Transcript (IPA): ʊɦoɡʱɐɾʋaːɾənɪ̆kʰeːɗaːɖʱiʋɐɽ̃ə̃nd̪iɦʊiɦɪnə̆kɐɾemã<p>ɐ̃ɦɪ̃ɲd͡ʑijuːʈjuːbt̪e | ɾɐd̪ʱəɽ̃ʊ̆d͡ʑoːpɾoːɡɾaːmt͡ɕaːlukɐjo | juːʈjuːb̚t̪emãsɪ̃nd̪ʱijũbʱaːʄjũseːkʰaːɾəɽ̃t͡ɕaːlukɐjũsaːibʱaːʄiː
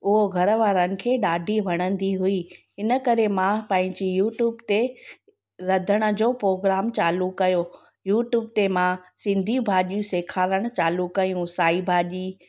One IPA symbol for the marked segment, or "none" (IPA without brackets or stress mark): p